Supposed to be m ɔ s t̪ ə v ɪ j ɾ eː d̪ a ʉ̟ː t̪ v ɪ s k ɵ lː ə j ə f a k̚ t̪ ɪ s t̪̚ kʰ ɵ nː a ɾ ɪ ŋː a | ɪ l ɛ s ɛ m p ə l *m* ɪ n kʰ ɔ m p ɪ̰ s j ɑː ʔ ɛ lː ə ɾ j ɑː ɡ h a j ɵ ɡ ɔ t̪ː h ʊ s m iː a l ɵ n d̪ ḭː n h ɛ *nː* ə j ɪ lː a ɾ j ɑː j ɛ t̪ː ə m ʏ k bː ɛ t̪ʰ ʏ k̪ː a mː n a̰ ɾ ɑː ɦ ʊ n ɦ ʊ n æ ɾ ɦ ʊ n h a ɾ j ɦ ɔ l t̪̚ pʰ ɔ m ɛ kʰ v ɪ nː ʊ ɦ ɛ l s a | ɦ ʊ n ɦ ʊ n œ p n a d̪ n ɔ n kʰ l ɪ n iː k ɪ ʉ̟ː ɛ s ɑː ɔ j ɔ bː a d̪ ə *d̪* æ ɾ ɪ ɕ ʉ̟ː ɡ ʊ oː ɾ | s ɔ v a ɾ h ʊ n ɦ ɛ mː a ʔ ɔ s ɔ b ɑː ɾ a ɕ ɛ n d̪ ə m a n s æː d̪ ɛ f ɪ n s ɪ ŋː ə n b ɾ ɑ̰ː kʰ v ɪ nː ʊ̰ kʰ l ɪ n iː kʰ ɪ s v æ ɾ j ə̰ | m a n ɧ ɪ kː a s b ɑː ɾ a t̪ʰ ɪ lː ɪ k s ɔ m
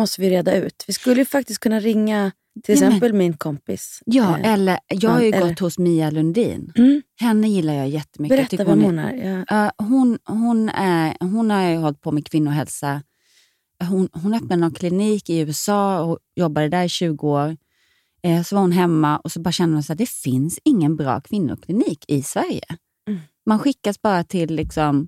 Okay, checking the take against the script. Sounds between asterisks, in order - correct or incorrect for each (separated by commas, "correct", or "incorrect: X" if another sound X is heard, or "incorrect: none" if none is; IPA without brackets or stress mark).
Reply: correct, correct, correct